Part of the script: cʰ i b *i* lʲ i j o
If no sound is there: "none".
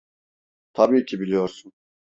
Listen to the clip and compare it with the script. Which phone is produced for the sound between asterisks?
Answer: i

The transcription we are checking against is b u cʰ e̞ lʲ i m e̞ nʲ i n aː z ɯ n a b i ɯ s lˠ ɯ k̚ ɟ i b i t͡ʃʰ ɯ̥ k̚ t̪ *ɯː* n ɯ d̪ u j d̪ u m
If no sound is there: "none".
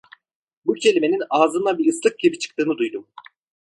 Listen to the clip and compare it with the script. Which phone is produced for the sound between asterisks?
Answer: ɯː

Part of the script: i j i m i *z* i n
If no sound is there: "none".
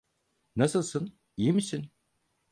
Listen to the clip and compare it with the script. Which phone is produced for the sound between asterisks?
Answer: s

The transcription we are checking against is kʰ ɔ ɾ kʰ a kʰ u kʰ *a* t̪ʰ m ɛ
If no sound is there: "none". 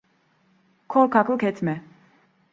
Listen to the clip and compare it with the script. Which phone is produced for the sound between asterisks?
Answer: ɛ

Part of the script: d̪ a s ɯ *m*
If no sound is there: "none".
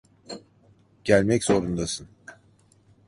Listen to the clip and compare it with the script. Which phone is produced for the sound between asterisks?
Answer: n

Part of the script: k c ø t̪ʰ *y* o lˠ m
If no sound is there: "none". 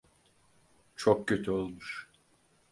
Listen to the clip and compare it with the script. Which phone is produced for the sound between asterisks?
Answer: y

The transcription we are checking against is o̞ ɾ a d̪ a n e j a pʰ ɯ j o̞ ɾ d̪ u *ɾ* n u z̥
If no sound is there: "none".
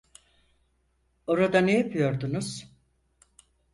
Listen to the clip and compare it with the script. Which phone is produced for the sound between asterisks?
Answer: none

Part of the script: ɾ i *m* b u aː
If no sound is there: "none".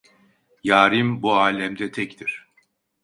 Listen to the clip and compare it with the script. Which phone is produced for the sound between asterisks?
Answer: m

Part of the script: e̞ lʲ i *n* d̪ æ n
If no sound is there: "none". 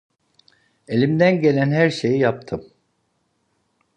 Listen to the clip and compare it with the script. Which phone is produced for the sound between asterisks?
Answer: m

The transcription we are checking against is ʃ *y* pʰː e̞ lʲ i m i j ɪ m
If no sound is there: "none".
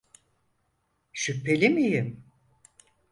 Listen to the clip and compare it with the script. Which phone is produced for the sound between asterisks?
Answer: y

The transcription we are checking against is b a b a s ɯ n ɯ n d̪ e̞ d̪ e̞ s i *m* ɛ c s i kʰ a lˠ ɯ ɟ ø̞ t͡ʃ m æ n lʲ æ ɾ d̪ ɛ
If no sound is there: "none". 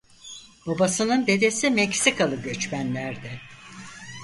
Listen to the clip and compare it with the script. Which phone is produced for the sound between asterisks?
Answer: m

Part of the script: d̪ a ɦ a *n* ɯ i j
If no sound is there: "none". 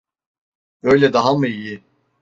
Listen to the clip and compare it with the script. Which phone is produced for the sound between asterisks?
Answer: m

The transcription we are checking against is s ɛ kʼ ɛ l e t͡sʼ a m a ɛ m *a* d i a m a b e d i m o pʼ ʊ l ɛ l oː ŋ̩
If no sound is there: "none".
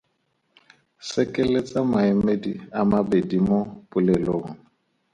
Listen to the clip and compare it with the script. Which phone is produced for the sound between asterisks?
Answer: e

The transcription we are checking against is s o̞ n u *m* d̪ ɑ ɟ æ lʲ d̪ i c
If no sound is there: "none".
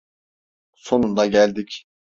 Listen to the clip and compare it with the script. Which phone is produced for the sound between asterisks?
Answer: n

